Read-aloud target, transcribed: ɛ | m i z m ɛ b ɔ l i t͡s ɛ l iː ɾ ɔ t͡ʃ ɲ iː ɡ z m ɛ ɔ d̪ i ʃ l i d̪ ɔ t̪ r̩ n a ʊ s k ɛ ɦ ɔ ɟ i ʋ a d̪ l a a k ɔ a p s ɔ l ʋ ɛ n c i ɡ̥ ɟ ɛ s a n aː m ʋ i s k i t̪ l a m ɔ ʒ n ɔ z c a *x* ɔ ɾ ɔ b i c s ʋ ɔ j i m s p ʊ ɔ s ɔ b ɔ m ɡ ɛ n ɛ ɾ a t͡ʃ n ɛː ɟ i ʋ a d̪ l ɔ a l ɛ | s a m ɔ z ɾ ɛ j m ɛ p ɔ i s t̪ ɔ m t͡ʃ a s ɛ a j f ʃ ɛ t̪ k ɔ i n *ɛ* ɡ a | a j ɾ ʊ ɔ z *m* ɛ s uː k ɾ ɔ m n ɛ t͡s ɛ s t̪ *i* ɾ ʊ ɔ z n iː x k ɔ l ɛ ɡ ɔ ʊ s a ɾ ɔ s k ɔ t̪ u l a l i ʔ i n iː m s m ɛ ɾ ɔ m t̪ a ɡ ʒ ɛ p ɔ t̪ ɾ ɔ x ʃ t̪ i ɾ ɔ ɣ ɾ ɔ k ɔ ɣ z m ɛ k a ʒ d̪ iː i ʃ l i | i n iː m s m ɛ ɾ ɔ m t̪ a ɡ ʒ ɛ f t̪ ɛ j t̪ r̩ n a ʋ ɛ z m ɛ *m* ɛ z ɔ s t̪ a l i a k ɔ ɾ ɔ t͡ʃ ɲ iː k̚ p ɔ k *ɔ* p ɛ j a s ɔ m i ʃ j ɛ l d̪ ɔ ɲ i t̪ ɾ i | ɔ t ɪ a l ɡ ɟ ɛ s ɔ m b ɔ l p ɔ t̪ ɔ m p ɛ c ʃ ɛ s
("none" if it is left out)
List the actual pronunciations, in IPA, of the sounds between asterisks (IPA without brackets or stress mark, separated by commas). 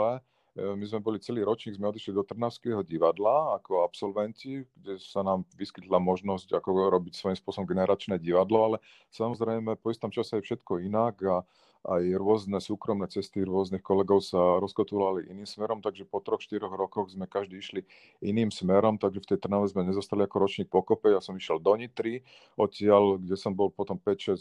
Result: k, a, n, i, ɲ, ɔ